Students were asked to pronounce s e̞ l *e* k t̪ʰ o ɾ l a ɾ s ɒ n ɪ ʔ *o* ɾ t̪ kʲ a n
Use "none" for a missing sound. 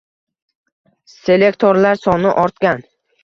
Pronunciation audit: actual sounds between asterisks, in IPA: e, ɒ

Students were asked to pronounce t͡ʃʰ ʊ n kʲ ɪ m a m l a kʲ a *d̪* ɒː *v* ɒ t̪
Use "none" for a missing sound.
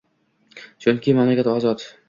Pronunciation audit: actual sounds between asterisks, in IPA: t̪, z

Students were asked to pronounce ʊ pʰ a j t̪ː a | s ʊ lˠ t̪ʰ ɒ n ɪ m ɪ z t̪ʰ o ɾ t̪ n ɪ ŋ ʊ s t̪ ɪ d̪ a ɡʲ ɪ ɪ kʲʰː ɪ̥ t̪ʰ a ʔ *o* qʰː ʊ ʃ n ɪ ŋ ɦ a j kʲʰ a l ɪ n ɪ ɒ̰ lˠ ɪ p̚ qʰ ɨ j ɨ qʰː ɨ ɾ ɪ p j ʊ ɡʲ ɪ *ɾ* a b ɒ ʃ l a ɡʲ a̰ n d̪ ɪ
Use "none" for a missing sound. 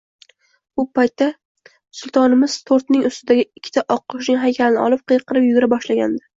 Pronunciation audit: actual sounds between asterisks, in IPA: ɒ, ɾ

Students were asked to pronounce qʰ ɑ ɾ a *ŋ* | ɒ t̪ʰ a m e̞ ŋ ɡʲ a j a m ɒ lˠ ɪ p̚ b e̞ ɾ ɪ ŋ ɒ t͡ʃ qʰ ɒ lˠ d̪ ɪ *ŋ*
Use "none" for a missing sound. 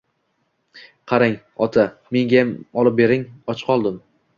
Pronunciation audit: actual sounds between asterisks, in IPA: ŋ, m

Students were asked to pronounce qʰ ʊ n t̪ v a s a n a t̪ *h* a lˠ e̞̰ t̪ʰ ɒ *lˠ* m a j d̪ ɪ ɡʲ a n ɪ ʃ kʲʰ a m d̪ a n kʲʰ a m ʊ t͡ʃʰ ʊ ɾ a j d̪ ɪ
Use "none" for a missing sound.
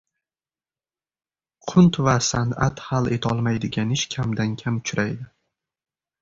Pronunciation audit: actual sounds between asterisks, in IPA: h, lˠ

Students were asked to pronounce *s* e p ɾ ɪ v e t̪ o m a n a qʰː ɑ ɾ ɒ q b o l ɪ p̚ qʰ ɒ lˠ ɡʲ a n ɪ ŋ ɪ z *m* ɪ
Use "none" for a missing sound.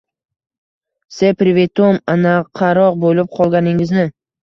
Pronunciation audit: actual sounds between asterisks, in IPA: s, n

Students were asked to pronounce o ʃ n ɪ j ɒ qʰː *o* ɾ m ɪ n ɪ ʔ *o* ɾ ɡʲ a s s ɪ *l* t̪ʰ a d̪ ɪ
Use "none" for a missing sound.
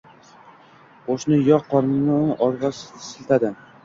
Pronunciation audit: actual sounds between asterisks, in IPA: ɒ, ɒ, l

